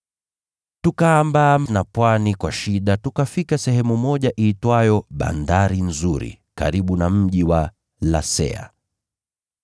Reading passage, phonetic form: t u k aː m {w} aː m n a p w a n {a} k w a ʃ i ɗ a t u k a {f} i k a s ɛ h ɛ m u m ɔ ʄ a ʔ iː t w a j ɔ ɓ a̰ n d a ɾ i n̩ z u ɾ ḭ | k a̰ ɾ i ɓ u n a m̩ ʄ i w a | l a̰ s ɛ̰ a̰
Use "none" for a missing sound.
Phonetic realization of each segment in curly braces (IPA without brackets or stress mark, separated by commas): b, i, f